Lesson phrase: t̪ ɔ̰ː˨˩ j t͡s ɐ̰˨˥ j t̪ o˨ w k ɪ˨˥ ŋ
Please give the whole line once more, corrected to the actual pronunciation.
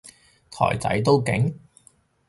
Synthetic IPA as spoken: t̪ʰ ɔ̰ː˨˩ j t͡s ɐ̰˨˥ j t̪ o˥ w k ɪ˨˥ ŋ